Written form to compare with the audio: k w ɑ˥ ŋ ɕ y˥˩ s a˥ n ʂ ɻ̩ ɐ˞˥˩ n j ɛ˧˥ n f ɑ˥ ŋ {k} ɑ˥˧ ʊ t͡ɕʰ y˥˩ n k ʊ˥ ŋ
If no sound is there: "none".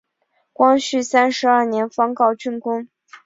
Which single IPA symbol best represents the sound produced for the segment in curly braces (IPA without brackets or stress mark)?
k